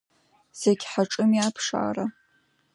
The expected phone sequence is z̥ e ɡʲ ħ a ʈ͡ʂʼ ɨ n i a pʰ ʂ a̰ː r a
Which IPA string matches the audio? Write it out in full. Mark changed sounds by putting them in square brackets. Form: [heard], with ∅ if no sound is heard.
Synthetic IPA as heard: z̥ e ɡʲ ħ a ʈ͡ʂʼ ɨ [m] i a pʰ ʂ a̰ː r a